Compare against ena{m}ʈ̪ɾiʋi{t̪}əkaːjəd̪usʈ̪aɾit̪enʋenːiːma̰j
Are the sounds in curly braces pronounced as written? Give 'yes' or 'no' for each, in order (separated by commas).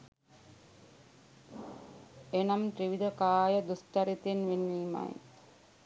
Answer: yes, no